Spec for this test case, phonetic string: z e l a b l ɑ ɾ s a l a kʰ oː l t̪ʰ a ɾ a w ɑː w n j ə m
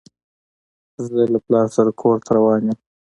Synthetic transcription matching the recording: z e l a p l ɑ ɾ s a ɾ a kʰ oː ɾ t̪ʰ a ɾ a w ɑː n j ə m